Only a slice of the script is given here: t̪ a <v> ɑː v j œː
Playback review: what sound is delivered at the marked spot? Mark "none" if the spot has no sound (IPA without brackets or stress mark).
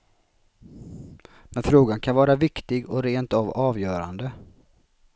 v